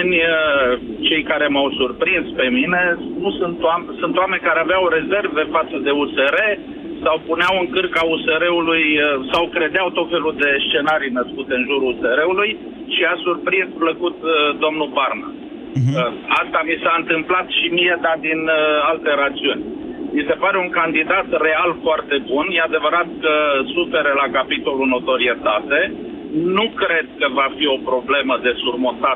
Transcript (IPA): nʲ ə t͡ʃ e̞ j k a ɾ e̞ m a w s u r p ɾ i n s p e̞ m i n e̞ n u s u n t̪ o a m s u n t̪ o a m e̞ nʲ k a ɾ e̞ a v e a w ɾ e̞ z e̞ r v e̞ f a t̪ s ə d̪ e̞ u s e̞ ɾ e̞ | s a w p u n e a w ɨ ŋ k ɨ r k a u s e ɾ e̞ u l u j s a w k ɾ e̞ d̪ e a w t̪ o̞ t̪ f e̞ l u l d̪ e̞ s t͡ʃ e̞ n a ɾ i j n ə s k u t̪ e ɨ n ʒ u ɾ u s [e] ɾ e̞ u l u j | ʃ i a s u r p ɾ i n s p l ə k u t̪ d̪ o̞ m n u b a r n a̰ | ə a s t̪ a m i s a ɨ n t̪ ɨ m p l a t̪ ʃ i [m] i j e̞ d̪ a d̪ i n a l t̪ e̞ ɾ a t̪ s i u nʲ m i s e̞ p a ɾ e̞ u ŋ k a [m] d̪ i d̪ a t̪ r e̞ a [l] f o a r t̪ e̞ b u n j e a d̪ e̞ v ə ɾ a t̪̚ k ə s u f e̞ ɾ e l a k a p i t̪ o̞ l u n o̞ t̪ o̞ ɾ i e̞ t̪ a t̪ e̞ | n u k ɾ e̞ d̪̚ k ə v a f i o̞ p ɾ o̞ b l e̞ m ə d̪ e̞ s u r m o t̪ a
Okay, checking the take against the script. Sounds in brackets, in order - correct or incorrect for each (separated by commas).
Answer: correct, correct, incorrect, correct